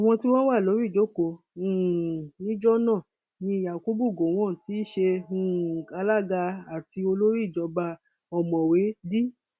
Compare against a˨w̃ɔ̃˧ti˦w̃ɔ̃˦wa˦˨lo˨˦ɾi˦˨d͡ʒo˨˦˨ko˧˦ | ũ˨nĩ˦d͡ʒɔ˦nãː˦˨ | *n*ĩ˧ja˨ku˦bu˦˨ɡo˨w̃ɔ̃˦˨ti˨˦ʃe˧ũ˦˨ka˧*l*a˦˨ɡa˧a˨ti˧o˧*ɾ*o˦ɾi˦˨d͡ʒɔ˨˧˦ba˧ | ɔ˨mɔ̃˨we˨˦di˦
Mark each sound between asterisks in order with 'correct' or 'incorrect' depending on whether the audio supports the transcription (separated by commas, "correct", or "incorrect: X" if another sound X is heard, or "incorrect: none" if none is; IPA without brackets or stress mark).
correct, correct, incorrect: l